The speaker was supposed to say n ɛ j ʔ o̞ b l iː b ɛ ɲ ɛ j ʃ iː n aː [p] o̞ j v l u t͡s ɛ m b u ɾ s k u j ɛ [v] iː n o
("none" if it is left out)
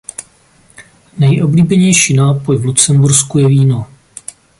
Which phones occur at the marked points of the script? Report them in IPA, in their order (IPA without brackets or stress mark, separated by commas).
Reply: p, v